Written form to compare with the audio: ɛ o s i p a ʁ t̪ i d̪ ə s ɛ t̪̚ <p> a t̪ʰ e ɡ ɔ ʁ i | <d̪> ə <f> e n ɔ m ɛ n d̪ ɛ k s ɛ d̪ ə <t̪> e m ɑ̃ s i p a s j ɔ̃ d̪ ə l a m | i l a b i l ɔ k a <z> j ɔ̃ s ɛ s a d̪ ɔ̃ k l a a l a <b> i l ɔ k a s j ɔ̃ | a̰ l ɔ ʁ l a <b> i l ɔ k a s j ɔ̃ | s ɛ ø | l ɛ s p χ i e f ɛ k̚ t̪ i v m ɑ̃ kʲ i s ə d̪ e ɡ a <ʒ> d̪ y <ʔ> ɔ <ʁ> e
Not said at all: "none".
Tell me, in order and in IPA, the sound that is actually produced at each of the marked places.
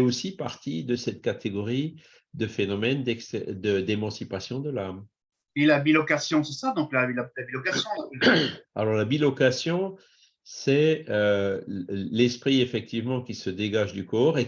k, d̪, f, d̪, s, b, b, ʒ, k, ʁ

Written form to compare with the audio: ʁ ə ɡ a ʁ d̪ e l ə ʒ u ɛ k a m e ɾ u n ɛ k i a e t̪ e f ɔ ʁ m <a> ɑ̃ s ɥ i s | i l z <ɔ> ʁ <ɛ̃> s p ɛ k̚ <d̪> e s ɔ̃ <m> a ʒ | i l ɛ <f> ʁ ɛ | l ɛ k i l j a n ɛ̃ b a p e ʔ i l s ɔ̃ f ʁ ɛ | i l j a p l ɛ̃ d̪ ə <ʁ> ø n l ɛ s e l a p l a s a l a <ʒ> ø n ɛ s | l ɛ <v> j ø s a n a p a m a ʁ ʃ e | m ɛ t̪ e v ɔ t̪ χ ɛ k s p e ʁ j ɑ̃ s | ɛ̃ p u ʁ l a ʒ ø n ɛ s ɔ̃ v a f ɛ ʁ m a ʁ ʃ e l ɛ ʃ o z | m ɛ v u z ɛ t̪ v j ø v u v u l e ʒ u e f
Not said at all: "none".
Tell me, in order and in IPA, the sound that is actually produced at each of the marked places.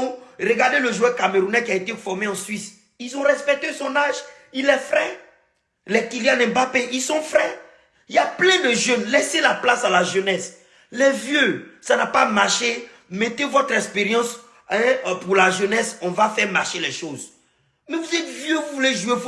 e, ɔ̃, ɛ, t̪, n, f, ʒ, ʒ, v

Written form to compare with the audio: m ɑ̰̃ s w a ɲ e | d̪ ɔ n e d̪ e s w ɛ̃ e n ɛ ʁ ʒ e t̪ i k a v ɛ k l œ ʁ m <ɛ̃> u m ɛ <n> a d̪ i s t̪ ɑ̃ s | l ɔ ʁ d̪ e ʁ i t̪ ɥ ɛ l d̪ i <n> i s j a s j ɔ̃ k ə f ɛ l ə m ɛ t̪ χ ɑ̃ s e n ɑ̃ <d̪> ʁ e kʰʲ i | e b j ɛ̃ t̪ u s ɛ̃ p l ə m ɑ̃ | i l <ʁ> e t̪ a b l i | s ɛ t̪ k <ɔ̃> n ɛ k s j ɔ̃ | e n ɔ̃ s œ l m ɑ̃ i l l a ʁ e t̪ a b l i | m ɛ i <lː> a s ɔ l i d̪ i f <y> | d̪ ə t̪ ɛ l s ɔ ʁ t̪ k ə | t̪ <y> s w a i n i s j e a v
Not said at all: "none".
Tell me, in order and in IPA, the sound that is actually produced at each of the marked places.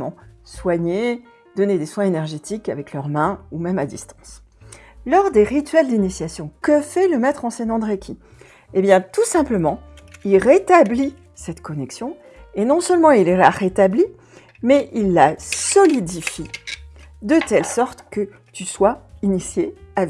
ɛ̃, m, n, d̪, ʁ, ɔ, lː, i, y

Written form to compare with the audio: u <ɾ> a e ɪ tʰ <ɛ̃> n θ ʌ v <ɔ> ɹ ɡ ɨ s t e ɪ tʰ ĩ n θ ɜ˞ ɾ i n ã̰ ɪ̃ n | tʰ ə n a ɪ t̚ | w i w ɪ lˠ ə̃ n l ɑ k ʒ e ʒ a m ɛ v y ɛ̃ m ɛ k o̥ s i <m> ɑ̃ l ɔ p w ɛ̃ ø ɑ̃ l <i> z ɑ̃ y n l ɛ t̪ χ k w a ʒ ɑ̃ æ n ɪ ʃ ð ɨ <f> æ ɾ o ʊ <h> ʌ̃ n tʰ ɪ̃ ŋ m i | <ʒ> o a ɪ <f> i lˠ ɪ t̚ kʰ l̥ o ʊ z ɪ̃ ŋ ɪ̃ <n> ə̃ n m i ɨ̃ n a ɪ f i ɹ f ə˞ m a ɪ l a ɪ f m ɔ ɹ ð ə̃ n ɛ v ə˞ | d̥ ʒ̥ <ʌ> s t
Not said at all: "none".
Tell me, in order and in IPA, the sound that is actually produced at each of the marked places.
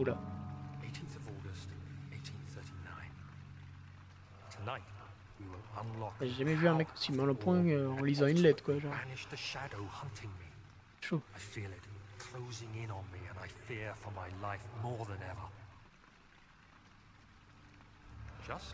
l, ĩ, ɔ, m, i, ʃ, h, ʃ, f, n, ʌ

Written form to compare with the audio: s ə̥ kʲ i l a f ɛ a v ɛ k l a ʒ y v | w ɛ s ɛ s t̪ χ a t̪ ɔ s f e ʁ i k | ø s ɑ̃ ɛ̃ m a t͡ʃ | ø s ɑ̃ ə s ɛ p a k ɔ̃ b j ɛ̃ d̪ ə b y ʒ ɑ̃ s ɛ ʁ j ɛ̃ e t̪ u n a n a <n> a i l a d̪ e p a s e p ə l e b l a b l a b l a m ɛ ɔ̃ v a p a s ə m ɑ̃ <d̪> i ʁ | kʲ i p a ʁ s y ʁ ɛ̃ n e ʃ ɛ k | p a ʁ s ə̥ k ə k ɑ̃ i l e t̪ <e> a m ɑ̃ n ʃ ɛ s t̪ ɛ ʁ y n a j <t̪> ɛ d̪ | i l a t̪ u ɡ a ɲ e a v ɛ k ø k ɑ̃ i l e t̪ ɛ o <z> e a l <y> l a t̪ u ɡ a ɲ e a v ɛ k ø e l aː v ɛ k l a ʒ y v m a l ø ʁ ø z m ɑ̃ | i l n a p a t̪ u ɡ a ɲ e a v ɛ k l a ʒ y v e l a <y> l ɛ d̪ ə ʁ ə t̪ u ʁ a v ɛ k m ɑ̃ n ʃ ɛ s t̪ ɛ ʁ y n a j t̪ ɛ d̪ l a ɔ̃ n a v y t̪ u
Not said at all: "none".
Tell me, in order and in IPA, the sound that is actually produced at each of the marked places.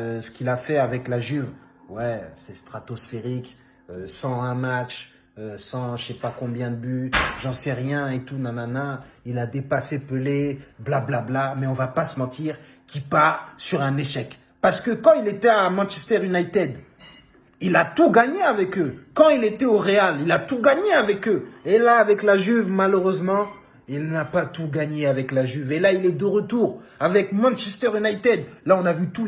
n, t̪, ɛ, t̪, ʁ, i, i

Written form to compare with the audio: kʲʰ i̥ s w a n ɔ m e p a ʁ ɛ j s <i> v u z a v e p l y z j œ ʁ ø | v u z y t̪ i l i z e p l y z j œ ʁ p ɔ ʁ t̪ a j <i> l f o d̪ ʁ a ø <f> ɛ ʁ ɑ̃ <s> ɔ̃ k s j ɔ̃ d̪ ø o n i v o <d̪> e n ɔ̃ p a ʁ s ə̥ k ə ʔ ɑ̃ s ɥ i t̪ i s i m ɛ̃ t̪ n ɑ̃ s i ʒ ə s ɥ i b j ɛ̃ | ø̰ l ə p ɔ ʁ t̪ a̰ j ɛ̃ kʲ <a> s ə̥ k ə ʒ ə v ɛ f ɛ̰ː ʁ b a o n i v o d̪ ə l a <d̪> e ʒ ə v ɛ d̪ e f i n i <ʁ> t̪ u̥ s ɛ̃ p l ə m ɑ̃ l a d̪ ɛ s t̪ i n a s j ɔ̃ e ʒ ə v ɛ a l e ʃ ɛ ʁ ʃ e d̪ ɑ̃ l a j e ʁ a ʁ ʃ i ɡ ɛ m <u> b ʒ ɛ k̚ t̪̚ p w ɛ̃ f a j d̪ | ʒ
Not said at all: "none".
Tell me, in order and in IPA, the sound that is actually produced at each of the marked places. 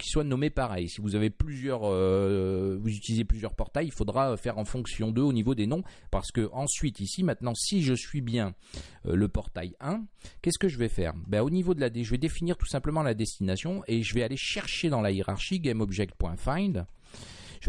i, i, f, f, d̪, ɛ, d̪, ʁ, ɔ

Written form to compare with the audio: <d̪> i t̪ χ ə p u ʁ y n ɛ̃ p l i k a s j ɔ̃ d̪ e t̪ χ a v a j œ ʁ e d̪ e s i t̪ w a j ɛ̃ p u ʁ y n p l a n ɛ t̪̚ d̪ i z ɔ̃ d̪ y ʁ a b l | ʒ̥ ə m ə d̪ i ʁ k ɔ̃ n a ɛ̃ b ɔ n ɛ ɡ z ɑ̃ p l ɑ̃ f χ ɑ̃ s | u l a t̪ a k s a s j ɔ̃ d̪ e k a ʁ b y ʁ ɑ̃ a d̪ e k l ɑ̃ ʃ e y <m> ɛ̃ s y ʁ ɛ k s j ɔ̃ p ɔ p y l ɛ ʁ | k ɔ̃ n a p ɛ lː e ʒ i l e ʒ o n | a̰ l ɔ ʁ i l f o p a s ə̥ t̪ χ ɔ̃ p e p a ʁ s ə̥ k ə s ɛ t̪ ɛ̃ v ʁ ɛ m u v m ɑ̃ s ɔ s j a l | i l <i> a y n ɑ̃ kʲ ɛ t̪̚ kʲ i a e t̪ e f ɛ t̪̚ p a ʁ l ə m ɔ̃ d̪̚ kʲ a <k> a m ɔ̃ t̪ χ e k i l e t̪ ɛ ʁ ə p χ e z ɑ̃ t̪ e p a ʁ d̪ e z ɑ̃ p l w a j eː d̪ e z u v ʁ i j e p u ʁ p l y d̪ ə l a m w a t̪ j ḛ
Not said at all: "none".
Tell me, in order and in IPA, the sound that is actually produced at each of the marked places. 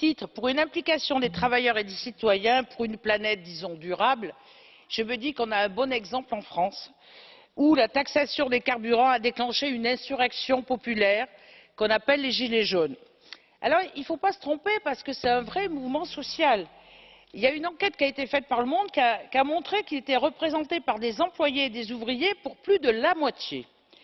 t̪, n, j, k

